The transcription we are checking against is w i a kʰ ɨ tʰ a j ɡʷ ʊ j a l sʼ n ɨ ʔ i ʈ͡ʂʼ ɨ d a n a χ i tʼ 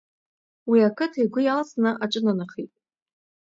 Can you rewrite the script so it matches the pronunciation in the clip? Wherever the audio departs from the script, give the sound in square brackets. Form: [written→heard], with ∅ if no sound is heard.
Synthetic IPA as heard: w i a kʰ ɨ tʰ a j ɡʷ ʊ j a l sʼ n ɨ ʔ [i→a] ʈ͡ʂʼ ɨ [d→n] a n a χ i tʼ